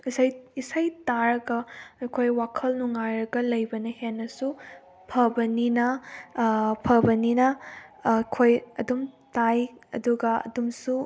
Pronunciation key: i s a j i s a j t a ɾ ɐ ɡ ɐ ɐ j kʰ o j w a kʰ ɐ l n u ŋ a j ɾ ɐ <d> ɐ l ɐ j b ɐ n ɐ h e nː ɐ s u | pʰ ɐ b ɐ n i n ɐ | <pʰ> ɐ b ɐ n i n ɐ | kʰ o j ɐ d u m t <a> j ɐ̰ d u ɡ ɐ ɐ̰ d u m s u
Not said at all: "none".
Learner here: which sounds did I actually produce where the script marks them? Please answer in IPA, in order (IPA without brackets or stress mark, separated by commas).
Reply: ɡ, pʰ, a